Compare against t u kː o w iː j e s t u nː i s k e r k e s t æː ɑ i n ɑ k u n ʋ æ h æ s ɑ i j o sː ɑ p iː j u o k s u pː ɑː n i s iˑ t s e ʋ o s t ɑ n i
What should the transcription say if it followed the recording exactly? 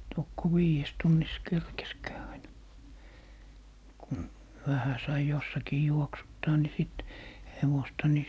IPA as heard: t o kː o w iː j e s t u nː i s k e r k e s k æː ɑ i n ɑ k u n ʋ æ h æ s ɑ i j o sː ɑ k iː j u o k s u tː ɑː n i s iˑ t h e ʋ o s t ɑ n i